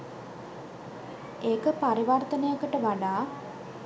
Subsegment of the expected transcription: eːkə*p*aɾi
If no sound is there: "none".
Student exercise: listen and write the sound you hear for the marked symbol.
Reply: p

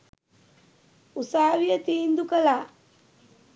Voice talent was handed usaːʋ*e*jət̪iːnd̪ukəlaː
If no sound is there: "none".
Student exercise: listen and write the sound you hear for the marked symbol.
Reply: i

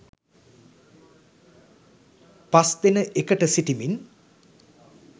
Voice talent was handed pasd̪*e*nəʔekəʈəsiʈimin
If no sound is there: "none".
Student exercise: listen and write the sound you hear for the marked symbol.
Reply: e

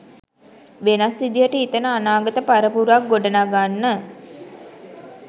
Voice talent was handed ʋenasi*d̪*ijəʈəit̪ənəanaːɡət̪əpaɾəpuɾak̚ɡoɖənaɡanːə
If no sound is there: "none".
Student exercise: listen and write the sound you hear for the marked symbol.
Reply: d̪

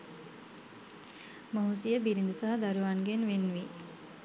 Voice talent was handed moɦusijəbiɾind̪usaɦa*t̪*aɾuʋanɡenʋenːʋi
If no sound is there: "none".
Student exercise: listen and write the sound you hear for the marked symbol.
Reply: d̪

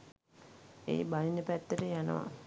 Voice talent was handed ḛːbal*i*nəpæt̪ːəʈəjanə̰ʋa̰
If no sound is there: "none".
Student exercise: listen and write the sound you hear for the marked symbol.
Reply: i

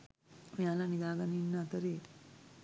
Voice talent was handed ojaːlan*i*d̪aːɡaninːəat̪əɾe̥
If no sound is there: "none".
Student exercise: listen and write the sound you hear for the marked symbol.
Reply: i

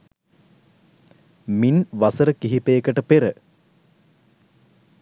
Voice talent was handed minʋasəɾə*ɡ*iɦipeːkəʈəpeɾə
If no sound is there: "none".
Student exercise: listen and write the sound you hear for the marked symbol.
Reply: k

